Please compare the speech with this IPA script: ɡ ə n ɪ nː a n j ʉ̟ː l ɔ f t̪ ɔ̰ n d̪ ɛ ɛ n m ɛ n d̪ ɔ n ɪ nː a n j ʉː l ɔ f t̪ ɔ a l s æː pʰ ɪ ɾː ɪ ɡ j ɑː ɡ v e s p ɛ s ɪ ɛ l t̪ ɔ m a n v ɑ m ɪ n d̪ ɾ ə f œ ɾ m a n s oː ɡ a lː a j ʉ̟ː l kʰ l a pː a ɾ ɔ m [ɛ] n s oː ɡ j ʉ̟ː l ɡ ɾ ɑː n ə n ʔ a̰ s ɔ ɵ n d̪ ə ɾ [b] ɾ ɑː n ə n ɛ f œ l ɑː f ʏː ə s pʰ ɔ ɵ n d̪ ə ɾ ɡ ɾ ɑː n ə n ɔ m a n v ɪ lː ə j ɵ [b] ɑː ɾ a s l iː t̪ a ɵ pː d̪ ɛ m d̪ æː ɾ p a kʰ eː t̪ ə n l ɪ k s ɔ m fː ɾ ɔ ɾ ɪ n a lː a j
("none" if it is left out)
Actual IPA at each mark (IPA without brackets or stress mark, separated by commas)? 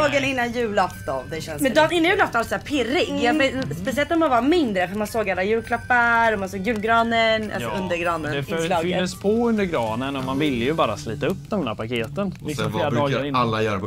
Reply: a, ɡ, b